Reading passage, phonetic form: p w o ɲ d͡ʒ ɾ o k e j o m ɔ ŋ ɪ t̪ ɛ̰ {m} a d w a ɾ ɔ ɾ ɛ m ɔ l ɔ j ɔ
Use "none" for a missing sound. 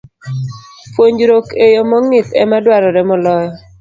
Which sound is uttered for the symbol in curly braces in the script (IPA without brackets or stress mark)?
m